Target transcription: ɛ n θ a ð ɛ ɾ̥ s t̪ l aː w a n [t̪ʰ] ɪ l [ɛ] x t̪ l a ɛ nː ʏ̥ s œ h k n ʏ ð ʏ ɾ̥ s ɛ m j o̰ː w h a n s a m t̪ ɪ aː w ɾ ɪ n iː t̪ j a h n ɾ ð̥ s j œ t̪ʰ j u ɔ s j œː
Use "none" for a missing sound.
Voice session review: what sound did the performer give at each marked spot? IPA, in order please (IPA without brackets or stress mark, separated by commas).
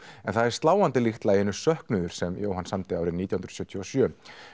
t̪, i